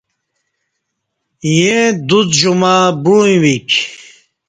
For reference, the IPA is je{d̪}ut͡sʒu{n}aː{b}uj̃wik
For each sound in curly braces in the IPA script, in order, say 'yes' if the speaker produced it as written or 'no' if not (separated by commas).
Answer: yes, no, yes